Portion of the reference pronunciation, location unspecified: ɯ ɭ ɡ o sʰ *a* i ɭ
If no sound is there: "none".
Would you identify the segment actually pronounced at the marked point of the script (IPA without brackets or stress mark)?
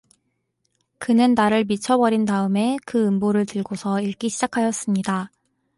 ʌ